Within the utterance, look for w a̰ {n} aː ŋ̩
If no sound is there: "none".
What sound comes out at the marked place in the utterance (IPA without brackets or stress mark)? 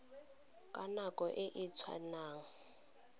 n